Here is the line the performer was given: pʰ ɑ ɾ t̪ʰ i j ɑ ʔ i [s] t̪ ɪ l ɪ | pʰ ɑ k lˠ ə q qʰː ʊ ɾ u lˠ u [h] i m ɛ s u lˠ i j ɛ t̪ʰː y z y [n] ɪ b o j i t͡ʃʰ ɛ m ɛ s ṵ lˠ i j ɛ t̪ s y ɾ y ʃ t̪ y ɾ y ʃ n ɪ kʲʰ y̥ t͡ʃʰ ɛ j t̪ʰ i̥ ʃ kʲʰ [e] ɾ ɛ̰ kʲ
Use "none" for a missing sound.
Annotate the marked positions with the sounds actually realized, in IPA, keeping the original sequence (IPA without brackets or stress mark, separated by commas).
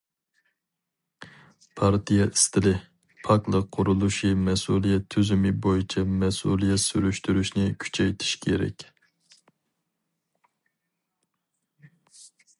s, ʃ, m, e